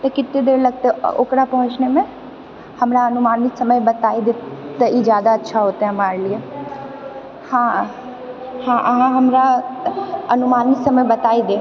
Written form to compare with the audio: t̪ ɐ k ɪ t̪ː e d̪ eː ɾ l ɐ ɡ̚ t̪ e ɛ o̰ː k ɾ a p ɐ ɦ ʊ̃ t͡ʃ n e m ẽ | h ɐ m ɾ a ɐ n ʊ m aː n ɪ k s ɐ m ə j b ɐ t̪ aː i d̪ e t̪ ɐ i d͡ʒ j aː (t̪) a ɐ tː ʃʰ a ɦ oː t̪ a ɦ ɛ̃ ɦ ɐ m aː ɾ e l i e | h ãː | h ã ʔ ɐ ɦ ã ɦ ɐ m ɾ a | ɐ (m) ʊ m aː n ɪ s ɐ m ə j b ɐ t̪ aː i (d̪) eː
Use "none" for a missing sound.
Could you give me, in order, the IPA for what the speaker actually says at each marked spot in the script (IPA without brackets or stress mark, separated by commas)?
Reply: d̪, n, d̪